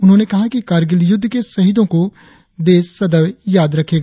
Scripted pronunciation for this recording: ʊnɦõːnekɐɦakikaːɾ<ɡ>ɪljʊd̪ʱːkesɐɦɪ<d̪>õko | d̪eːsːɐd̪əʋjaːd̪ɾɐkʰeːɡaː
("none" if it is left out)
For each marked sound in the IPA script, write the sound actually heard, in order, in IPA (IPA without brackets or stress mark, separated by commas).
ɡ, d̪